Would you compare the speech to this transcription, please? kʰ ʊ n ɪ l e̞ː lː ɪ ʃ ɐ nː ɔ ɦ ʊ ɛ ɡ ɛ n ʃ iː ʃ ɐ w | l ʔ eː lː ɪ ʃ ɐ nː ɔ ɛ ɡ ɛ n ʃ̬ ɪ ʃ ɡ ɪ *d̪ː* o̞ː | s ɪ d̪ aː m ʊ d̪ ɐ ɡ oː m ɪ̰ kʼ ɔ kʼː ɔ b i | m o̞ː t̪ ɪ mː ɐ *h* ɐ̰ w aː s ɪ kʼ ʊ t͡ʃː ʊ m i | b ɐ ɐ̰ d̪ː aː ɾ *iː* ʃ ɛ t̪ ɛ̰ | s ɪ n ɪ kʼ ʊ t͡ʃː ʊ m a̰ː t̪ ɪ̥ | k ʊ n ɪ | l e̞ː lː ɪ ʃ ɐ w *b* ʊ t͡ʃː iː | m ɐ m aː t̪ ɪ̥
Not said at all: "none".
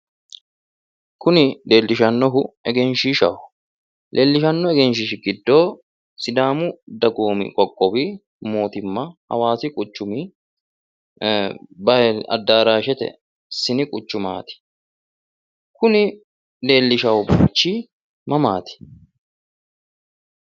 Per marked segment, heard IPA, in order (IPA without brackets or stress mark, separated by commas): d̪ː, h, aː, b